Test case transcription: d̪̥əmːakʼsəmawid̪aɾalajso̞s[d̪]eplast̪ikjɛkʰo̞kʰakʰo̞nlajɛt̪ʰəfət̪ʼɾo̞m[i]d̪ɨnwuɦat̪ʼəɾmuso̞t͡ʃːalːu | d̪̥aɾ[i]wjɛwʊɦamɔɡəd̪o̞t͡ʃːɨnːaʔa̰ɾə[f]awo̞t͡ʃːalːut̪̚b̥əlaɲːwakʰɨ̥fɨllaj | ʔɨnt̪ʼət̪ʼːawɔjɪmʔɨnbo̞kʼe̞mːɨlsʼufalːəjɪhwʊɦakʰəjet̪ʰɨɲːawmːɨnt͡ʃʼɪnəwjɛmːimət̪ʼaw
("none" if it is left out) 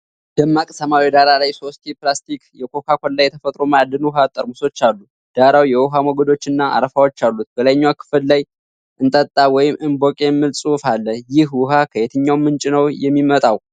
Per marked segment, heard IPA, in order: t̪, a, a, f

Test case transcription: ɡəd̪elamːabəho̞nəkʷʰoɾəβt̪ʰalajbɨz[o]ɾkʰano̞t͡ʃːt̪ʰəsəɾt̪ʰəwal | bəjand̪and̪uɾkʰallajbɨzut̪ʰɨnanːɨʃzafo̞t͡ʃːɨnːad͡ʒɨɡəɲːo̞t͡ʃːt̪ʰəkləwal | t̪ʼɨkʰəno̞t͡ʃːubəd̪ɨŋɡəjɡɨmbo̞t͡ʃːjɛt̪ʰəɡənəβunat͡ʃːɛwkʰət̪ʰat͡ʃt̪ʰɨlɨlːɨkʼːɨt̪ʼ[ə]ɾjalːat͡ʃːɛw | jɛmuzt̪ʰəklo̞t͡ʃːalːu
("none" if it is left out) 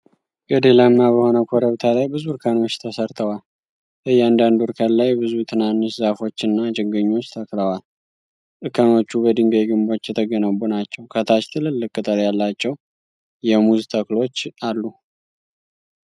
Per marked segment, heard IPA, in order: u, ə

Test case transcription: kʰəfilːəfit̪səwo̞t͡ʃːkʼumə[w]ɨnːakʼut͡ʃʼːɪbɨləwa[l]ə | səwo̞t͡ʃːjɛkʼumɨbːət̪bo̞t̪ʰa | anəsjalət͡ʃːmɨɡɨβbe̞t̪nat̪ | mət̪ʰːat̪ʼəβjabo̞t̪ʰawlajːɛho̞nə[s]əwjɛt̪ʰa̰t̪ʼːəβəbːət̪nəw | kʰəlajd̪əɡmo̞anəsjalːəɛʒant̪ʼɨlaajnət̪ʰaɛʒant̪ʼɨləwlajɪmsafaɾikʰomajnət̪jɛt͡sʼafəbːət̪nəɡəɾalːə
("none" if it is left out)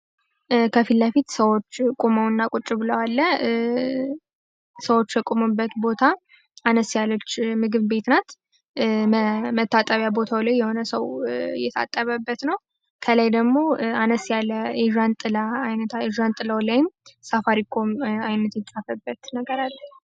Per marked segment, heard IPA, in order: w, lː, s

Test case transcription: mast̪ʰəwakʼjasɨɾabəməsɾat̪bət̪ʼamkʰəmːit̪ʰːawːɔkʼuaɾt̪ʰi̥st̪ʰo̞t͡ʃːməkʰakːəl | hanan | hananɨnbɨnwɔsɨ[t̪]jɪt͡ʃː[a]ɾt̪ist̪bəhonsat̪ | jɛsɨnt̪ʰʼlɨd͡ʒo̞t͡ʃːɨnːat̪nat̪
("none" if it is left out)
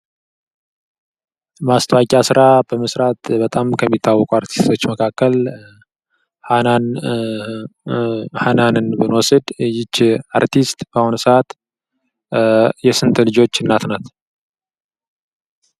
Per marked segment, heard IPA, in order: d̪, a

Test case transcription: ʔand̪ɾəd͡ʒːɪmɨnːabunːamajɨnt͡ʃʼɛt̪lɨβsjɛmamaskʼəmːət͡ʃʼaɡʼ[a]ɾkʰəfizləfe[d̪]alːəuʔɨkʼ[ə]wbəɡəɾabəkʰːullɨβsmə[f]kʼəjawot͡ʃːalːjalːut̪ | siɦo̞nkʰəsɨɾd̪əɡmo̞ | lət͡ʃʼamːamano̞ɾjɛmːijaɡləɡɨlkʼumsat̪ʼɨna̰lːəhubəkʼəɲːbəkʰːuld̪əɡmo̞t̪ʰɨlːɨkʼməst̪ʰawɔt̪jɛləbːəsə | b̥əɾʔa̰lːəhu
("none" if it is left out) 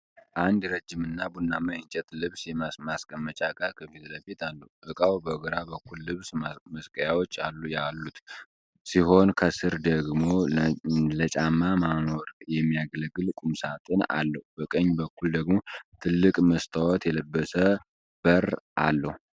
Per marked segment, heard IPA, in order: a, t̪, a, s

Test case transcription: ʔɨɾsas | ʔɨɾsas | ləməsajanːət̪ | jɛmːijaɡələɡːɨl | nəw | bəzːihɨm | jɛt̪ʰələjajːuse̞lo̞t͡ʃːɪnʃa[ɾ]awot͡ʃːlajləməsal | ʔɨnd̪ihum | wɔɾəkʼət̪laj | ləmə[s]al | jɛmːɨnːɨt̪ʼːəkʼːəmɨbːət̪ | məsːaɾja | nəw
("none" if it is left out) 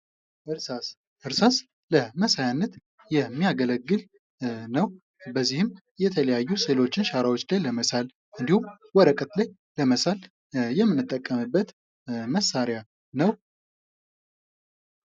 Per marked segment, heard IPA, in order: ɾ, s

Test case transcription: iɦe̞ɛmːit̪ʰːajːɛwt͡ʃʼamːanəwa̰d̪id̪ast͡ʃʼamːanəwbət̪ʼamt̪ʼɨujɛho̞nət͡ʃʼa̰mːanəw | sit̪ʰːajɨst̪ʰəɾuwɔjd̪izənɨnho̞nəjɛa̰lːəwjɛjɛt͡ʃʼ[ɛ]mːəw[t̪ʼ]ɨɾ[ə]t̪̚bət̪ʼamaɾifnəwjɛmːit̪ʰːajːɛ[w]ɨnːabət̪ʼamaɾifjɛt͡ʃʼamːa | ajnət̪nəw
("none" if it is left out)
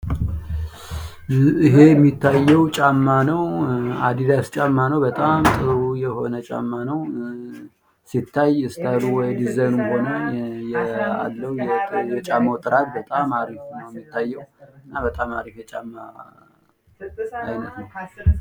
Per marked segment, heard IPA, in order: a, t̪ʼ, a, w

